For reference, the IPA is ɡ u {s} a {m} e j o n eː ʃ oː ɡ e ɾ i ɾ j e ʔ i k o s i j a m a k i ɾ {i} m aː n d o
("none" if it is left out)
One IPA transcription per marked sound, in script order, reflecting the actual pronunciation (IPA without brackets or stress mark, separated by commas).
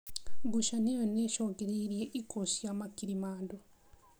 ʃ, n, i